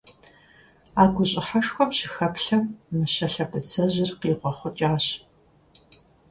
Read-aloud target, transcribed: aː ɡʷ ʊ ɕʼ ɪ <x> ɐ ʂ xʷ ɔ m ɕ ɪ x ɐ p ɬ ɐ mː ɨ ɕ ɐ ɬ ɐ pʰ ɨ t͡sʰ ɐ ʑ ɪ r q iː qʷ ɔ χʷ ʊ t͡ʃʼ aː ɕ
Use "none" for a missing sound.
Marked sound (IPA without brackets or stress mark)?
ħ